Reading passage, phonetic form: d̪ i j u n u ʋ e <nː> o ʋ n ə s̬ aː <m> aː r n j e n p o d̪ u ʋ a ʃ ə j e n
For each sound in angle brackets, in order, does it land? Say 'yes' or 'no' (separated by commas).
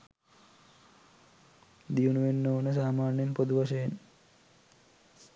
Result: yes, yes